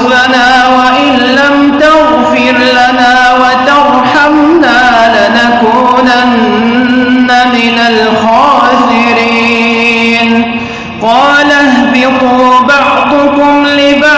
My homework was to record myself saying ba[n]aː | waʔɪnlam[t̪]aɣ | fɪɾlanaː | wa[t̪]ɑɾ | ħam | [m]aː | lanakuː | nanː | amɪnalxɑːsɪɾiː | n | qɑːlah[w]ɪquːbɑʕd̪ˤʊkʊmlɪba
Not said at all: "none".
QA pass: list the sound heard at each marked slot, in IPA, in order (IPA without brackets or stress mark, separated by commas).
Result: n, t̪, t̪, n, b